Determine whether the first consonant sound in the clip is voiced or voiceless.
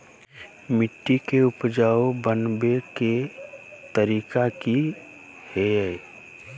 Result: voiced